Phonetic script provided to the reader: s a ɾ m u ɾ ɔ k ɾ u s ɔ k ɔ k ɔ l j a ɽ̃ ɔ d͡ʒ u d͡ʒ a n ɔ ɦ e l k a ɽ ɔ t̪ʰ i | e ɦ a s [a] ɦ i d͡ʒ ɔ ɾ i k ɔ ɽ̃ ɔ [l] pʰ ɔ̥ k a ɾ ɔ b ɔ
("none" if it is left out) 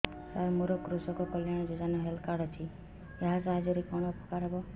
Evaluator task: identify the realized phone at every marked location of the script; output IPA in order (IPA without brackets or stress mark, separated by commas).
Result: a, none